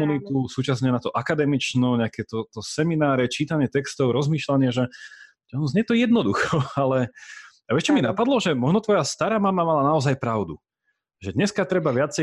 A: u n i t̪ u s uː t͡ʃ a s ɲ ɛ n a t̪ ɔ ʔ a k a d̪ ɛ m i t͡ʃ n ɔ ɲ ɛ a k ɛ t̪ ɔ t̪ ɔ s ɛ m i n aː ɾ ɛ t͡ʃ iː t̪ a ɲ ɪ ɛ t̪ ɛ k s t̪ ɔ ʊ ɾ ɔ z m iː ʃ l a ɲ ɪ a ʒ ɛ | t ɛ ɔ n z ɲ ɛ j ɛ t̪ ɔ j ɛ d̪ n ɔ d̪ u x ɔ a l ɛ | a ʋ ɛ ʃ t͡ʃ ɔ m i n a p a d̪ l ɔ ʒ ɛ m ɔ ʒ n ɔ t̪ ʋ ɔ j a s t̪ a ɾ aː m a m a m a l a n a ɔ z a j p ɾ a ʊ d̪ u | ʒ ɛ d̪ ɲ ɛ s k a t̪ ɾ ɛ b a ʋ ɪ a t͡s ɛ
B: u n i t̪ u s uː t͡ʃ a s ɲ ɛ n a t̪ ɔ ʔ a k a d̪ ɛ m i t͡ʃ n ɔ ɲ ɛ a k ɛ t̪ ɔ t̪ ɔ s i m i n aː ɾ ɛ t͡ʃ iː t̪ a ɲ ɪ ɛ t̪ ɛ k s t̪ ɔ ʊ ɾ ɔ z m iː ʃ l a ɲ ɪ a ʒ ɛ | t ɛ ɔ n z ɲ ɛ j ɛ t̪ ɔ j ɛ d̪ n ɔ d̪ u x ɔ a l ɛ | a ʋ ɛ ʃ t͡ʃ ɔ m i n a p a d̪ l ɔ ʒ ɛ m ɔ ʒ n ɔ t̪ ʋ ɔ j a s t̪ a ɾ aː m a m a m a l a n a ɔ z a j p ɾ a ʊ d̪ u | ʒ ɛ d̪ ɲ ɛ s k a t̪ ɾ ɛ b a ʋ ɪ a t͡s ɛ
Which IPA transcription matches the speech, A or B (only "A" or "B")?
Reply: A